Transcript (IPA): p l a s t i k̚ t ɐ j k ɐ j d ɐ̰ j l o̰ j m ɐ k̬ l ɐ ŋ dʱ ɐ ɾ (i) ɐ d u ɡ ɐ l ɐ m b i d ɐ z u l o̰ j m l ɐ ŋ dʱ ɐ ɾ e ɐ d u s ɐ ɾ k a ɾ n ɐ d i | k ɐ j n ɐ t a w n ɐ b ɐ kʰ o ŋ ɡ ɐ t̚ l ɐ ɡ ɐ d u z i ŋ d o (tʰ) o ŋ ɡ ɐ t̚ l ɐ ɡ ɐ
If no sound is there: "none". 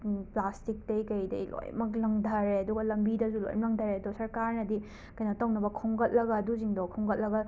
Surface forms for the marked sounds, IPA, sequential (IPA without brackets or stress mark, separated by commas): e, kʰ